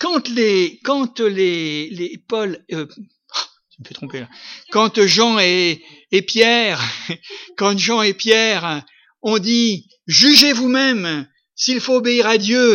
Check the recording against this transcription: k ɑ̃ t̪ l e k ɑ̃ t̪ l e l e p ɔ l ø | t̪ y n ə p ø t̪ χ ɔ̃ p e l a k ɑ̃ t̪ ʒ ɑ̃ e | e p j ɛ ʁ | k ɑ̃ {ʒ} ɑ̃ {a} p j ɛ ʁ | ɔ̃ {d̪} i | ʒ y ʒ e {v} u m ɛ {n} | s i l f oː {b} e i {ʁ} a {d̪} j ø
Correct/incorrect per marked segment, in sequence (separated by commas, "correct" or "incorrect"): correct, incorrect, correct, correct, incorrect, correct, correct, correct